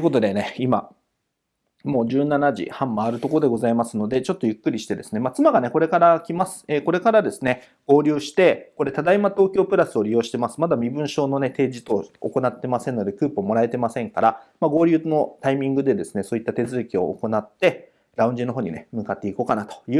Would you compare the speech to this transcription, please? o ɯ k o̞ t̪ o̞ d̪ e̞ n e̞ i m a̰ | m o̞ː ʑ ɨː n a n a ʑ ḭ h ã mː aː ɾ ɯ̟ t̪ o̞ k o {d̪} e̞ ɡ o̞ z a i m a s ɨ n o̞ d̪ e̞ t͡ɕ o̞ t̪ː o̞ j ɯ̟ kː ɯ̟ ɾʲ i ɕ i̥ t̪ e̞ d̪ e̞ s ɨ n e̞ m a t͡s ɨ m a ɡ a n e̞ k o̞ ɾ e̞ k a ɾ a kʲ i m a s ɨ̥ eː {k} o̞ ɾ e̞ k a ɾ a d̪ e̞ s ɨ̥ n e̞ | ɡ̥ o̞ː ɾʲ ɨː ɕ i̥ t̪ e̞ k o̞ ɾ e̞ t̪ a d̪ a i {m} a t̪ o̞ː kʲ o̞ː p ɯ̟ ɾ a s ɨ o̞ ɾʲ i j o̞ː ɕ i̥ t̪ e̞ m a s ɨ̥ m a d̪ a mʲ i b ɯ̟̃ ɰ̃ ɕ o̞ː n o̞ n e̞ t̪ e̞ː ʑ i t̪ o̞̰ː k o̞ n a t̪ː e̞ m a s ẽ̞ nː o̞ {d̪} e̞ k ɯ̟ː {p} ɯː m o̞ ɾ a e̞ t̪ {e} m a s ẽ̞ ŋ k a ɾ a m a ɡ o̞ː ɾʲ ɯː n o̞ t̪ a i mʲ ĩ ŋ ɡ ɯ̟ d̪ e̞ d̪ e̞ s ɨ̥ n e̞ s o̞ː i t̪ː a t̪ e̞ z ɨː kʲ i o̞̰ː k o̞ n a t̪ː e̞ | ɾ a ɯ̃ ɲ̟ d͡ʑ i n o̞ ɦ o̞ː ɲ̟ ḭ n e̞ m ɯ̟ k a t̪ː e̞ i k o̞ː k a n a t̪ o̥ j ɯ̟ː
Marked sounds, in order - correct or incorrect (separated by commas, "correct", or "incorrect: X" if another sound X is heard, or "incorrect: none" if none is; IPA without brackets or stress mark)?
correct, correct, correct, correct, correct, correct